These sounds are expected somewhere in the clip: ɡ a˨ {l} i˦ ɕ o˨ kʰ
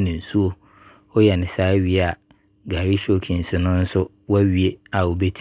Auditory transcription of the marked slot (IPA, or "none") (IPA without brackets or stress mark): ɾ